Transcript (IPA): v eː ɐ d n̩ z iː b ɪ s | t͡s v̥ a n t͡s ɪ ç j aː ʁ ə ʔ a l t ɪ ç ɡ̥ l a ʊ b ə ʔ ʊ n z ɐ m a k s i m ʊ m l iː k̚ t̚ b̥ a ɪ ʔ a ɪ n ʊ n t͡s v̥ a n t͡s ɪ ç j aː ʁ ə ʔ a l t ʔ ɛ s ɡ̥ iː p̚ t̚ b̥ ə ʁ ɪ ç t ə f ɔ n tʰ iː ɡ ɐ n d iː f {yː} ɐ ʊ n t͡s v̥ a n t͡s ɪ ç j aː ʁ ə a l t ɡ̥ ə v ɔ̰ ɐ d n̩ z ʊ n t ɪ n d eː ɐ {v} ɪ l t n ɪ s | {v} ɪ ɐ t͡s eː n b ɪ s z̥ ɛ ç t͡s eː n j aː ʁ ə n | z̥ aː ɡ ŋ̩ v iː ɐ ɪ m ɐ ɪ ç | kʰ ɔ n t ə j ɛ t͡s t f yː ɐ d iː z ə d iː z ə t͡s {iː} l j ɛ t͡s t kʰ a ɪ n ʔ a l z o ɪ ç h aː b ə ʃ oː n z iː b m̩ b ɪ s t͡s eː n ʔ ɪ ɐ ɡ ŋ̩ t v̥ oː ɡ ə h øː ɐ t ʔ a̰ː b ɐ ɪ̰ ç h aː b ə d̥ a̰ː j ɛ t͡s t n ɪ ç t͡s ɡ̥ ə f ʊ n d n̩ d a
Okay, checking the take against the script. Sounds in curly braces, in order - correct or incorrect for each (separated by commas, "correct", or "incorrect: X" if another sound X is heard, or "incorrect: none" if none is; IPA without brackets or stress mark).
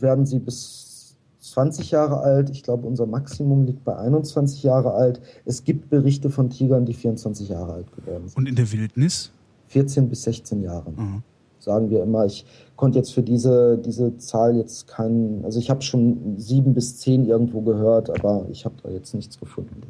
incorrect: iː, correct, incorrect: f, incorrect: aː